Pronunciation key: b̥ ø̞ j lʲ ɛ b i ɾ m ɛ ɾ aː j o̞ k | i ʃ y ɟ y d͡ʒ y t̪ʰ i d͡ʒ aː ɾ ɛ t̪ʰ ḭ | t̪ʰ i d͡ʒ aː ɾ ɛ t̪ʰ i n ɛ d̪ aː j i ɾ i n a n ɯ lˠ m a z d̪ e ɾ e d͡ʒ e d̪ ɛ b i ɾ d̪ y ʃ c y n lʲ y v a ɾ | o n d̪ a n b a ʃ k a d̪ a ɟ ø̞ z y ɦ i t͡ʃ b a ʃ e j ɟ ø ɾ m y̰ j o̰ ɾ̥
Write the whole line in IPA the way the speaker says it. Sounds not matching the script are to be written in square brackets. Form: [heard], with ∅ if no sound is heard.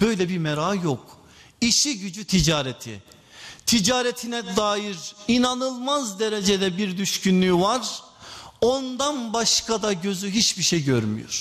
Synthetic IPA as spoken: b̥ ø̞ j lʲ ɛ b i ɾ m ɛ ɾ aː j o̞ k | i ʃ [i] ɟ y d͡ʒ y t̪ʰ i d͡ʒ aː ɾ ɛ t̪ʰ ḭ | t̪ʰ i d͡ʒ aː ɾ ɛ t̪ʰ i n ɛ d̪ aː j i ɾ i n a n ɯ lˠ m a z d̪ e ɾ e d͡ʒ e d̪ ɛ b i ɾ d̪ y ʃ c y n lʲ y v a ɾ | o n d̪ a n b a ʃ k a d̪ a ɟ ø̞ z y ɦ i t͡ʃ b [i] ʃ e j ɟ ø ɾ m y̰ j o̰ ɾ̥